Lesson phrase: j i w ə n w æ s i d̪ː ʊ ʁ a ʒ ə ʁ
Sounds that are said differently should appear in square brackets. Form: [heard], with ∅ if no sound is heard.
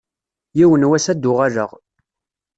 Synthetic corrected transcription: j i w ə n w æ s [æ] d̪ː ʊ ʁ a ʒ ə ʁ

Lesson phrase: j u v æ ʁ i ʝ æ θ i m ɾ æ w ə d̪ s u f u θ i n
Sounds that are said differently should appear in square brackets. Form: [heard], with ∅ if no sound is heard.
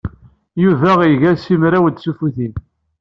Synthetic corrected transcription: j u v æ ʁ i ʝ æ [s] i m ɾ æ w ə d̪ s u f u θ i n

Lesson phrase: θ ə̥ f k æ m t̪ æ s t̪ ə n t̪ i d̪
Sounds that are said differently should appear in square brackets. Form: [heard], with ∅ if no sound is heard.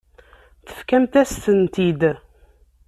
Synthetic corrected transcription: θ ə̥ f k æ m t̪ æ s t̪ ə n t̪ i d̪

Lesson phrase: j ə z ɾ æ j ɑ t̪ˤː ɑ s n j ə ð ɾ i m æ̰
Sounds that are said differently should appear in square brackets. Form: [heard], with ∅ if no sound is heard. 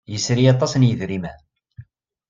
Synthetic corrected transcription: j ə [s] ɾ [i] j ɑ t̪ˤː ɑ s n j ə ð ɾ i m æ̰

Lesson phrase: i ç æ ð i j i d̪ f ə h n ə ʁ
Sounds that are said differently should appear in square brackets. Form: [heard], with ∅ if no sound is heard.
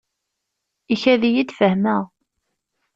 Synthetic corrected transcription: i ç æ ð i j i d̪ f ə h [m] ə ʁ

